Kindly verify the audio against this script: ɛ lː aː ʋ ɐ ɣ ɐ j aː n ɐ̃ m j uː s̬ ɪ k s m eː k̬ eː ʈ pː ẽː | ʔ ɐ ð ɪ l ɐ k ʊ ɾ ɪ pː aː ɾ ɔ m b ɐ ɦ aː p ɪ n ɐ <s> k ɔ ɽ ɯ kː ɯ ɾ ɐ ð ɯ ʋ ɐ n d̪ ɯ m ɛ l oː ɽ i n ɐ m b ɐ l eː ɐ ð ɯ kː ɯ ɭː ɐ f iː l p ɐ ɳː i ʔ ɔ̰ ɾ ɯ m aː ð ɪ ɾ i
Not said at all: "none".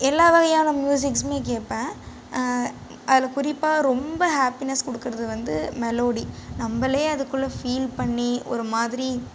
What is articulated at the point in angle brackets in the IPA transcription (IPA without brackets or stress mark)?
s